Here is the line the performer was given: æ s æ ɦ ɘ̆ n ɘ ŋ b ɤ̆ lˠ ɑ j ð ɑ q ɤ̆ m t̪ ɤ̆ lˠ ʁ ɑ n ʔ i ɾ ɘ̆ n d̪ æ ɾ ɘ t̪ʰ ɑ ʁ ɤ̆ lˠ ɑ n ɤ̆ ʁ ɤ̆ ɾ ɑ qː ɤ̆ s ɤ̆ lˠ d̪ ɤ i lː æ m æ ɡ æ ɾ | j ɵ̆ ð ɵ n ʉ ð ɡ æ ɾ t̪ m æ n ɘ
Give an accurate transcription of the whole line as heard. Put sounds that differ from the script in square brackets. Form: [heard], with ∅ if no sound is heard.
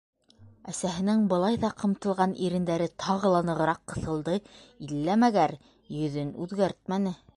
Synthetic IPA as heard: æ s æ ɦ ɘ̆ n ɘ ŋ b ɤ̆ lˠ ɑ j ð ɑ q ɤ̆ m t̪ ɤ̆ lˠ ʁ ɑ n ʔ i ɾ ɘ̆ n d̪ æ ɾ ɘ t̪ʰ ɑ ʁ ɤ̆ lˠ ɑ n ɤ̆ ʁ ɤ̆ ɾ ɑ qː ɤ̆ [θ] ɤ̆ lˠ d̪ ɤ i lː æ m æ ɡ æ ɾ | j ɵ̆ ð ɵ n ʉ ð ɡ æ ɾ t̪ m æ n ɘ